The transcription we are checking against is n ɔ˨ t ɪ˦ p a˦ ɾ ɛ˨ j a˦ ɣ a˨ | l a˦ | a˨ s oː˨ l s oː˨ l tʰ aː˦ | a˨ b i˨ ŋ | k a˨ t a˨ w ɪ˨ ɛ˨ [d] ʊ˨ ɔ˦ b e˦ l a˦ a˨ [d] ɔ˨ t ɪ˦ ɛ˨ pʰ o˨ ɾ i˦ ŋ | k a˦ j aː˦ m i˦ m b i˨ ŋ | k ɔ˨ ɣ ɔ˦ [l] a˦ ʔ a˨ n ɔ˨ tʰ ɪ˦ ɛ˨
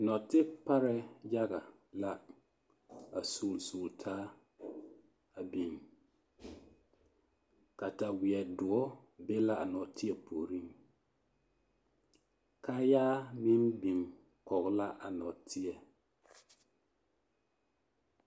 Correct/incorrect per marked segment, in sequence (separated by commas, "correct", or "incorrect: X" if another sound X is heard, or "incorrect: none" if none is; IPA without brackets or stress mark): correct, incorrect: n, correct